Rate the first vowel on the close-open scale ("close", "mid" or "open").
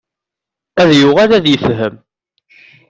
open